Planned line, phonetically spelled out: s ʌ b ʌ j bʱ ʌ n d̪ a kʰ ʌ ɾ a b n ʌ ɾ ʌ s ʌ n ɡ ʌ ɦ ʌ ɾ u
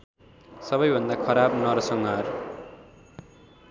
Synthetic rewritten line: s ʌ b ʌ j bʱ ʌ n d̪ a kʰ ʌ ɾ a b n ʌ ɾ ʌ s ʌ ŋ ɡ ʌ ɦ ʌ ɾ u